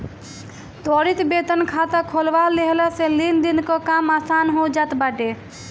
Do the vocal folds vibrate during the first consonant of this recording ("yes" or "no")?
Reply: no